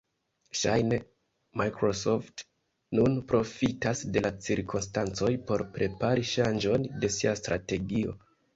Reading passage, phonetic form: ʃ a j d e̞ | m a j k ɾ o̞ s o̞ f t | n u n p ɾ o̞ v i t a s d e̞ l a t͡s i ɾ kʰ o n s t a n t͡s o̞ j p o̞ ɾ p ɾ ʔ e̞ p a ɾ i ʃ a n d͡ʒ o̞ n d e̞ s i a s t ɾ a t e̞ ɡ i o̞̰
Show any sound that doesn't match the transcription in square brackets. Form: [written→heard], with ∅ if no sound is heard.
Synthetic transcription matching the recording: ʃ a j [d→n] e̞ | m a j k ɾ o̞ s o̞ f t | n u n p ɾ o̞ [v→f] i t a s d e̞ l a t͡s i ɾ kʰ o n s t a n t͡s o̞ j p o̞ ɾ p ɾ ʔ e̞ p a ɾ i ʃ a n d͡ʒ o̞ n d e̞ s i a s t ɾ a t e̞ ɡ i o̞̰